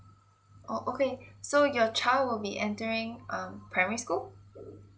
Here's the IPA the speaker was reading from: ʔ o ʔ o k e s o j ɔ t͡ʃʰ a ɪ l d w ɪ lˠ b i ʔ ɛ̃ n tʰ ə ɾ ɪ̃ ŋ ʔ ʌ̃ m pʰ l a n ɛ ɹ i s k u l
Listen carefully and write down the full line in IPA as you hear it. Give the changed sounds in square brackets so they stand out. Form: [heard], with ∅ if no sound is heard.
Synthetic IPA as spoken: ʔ o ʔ o k e s o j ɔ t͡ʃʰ a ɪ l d w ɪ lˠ b i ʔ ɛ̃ n [t] ə [ɹ] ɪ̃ ŋ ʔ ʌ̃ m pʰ [ɹ] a [m] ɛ ɹ i s k u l